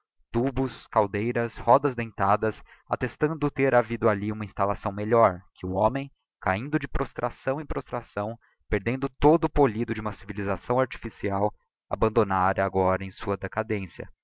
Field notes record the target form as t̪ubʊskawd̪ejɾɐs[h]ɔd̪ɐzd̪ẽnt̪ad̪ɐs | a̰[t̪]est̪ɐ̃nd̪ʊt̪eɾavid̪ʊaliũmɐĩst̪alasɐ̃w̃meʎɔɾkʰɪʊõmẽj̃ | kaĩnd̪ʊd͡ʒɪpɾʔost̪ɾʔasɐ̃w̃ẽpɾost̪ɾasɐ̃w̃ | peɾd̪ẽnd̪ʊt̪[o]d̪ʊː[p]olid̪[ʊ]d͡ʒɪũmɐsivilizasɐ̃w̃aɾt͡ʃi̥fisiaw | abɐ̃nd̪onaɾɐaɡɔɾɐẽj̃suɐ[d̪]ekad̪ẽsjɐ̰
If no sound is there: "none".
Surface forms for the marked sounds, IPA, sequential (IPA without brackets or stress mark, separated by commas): h, t̪, o, p, ʊ, d̪